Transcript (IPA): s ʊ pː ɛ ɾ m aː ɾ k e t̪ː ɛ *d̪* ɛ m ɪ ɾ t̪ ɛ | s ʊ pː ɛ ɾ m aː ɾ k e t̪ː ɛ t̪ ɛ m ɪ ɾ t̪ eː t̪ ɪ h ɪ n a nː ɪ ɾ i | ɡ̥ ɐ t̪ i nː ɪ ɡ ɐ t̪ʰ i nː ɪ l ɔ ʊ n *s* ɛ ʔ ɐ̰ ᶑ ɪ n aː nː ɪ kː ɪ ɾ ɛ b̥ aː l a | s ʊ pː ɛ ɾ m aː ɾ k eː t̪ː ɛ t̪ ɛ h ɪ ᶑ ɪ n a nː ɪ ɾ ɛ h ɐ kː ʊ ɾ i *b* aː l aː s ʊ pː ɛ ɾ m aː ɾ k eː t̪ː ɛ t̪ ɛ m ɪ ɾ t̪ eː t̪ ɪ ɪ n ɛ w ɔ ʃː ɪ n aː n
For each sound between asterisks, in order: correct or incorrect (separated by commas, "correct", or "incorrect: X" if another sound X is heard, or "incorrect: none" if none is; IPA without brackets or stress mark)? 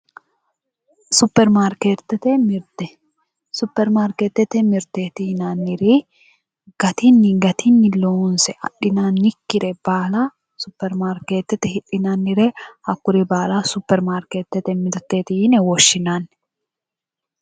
incorrect: t̪, correct, correct